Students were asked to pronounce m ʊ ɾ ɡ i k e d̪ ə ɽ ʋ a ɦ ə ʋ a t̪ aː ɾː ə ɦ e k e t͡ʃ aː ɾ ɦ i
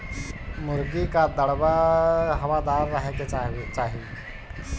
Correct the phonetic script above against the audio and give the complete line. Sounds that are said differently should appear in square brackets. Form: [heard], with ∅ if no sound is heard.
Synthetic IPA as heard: m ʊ ɾ ɡ i k [a] d̪ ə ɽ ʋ a ɦ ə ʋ a [d̪] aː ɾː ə ɦ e k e t͡ʃ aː [∅] ɦ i